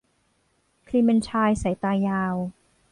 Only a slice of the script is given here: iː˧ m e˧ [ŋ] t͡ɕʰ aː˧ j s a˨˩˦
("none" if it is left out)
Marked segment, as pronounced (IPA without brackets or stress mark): n